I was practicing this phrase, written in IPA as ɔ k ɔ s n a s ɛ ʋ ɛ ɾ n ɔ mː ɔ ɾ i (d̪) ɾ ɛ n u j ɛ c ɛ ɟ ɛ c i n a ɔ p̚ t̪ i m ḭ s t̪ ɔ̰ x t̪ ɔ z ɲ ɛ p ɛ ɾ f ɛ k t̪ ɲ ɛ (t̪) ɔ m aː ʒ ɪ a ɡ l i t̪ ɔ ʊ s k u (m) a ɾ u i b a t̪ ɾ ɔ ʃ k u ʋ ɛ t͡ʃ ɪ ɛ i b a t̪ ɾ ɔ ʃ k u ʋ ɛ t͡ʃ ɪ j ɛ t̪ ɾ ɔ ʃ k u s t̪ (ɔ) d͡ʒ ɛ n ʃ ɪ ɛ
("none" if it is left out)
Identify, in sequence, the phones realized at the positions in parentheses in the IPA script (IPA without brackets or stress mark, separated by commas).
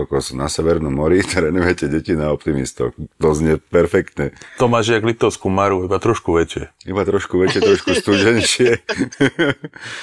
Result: t̪, t̪, m, u